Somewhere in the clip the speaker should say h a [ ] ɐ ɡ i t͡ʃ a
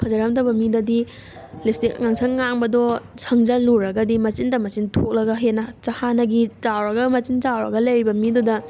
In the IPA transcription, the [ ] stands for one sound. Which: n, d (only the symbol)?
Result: n